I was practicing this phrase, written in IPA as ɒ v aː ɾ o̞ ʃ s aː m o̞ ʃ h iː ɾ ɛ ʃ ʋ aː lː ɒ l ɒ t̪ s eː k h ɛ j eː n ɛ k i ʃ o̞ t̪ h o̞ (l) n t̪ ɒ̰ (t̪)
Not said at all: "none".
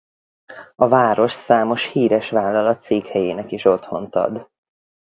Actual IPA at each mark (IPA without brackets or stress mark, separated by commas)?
none, d̪